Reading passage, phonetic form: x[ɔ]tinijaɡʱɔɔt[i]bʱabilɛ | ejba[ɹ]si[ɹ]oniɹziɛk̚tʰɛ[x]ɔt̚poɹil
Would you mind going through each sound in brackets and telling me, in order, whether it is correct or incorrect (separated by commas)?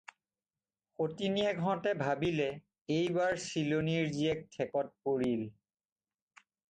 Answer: incorrect, incorrect, correct, incorrect, incorrect